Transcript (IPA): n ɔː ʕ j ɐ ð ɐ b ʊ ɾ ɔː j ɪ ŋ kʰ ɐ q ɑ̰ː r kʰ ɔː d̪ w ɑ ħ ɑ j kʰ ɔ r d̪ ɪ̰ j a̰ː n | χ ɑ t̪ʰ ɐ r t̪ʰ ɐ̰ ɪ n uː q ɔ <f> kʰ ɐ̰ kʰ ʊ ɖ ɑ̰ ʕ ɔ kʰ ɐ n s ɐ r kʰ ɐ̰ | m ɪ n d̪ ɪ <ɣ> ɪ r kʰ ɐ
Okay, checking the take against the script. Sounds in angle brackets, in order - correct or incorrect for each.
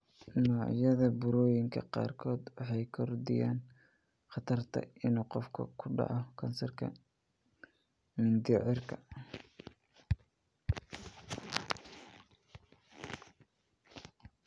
correct, incorrect: ʕ

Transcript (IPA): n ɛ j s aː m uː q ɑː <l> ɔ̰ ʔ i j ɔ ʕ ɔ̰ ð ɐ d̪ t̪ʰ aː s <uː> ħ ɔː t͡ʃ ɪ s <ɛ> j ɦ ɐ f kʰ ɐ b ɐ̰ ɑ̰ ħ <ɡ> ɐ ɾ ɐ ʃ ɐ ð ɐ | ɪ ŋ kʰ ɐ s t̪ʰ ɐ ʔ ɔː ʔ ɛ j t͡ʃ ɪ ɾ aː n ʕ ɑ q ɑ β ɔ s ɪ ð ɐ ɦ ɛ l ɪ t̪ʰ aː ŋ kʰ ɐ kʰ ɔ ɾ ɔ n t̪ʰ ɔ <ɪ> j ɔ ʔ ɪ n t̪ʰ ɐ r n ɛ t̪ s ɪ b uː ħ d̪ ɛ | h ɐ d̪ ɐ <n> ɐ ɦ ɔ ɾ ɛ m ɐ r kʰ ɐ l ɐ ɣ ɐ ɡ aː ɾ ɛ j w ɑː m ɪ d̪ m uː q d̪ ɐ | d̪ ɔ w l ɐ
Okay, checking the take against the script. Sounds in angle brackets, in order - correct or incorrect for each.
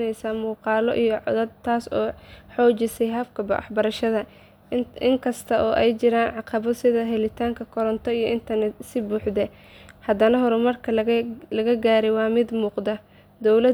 correct, incorrect: ɔː, correct, incorrect: b, incorrect: i, correct

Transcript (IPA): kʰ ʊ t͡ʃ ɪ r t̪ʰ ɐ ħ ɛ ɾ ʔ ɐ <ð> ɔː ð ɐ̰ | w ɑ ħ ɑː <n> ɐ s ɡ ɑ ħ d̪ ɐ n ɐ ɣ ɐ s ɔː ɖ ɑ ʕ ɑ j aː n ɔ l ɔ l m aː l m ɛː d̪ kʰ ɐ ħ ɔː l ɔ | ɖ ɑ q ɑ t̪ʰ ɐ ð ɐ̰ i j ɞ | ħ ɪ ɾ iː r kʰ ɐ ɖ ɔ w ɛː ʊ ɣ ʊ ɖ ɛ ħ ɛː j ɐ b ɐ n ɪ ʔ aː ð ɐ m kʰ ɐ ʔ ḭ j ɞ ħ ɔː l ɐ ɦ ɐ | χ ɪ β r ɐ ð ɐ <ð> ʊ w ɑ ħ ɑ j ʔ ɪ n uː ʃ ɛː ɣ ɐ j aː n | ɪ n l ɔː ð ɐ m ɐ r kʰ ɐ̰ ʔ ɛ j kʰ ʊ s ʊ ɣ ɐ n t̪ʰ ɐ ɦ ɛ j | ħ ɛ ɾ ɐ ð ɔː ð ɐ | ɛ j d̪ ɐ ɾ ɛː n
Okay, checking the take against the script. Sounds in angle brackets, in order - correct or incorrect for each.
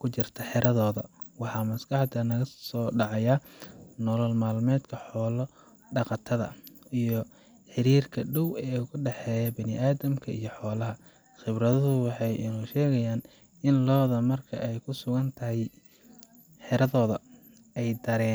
correct, incorrect: m, correct

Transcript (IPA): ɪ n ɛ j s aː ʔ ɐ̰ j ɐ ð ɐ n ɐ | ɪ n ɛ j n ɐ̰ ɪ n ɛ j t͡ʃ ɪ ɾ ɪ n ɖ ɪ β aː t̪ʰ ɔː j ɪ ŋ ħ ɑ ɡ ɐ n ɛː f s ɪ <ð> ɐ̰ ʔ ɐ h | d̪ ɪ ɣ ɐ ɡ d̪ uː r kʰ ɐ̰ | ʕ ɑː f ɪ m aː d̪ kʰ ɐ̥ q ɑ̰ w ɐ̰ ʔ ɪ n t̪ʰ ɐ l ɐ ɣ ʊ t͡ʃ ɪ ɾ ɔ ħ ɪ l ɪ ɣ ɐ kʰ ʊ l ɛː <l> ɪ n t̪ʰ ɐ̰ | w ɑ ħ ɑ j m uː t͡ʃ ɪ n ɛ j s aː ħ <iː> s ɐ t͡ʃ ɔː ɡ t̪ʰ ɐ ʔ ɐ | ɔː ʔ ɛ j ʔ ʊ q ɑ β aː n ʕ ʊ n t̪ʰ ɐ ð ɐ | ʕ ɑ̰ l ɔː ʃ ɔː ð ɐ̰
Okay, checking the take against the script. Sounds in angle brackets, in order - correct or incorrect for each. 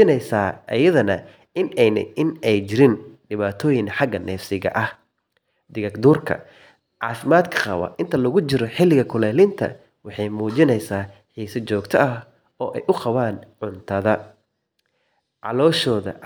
incorrect: ɣ, correct, correct

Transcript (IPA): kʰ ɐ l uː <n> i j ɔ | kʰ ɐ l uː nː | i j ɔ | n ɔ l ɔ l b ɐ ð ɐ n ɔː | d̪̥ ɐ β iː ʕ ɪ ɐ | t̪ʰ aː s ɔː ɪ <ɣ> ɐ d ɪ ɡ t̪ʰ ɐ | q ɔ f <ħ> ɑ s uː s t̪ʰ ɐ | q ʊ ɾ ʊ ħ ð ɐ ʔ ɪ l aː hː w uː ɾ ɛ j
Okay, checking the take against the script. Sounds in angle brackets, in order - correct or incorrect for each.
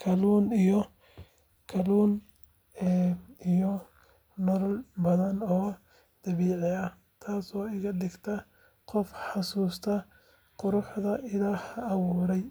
correct, correct, correct

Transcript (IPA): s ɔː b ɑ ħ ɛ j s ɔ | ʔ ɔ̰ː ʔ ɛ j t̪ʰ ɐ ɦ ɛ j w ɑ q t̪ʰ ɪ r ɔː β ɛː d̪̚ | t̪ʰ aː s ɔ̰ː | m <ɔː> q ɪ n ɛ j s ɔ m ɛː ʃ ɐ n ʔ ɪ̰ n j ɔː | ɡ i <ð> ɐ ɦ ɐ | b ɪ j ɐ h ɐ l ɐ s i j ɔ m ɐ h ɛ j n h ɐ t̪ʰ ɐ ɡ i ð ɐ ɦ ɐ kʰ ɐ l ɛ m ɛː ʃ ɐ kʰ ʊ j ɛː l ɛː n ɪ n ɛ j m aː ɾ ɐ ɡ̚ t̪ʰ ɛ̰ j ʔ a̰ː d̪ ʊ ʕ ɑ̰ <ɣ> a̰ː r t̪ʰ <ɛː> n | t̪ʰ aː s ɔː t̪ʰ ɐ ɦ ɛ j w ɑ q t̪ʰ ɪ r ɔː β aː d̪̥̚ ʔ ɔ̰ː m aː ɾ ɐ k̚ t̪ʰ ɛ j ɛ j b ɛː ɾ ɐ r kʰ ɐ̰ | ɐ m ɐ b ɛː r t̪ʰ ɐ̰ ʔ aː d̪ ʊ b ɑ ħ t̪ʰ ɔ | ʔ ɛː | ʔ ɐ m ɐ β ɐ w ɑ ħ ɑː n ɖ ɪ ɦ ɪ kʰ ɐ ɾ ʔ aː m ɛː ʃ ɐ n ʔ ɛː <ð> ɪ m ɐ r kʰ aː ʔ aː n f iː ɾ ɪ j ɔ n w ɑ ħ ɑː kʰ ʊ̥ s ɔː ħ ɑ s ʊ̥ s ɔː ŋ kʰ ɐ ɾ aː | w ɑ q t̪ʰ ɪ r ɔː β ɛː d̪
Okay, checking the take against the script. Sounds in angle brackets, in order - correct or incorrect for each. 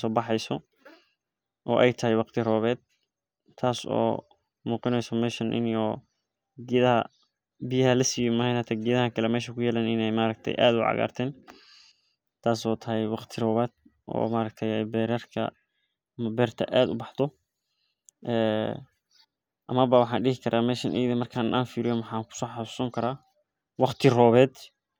incorrect: uː, correct, correct, correct, correct

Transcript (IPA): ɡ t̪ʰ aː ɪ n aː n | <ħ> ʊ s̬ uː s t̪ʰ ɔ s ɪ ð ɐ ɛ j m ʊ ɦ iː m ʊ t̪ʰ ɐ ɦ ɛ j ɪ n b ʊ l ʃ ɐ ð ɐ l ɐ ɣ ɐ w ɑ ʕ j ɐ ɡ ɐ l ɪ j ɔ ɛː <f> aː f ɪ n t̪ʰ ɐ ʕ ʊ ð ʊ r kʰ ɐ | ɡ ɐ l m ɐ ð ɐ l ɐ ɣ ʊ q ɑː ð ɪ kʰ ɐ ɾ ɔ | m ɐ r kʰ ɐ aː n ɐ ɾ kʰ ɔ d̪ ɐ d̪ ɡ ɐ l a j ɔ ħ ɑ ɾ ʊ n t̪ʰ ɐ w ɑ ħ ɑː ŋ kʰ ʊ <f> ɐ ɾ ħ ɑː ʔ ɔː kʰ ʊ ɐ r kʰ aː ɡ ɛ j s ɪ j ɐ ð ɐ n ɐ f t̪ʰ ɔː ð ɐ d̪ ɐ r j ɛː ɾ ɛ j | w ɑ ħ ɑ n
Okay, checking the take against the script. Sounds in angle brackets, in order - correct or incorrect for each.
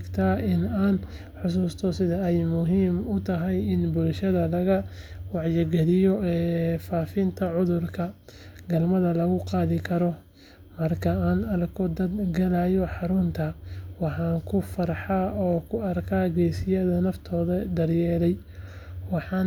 correct, correct, correct

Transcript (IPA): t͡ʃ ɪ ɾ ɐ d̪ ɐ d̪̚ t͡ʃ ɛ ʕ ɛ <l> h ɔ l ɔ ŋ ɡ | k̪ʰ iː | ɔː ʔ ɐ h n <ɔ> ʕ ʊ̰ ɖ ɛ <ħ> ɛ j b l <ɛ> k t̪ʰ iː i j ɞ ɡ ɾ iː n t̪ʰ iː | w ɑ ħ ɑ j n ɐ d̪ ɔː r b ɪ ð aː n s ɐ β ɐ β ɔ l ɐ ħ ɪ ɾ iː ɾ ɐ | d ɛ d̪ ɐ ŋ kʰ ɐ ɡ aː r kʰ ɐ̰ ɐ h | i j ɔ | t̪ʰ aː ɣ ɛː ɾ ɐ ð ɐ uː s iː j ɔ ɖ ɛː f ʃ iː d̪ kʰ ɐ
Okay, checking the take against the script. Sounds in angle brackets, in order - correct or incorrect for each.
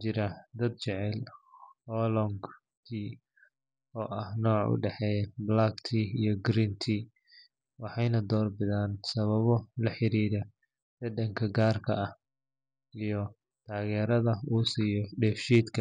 correct, incorrect: ɔː, correct, incorrect: a

